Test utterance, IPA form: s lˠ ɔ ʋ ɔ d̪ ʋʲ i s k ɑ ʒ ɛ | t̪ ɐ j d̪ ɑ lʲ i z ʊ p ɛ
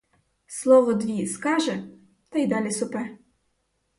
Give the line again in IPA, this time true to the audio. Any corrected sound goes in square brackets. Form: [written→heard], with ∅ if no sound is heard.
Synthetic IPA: s lˠ ɔ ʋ ɔ d̪ ʋʲ i s k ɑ ʒ ɛ | t̪ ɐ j d̪ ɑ lʲ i [z→s] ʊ p ɛ